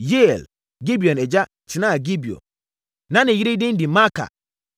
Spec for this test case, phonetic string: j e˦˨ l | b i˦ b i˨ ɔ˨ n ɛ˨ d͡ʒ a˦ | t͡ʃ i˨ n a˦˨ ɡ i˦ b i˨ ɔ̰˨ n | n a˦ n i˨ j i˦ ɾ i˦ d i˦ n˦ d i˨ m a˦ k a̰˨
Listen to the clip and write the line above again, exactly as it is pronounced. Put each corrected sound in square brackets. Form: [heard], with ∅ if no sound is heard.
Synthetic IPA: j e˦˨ l | [ɡ] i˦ b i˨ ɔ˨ n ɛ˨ d͡ʒ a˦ | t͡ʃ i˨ n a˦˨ ɡ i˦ b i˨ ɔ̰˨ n | n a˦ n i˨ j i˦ ɾ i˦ d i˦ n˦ d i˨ m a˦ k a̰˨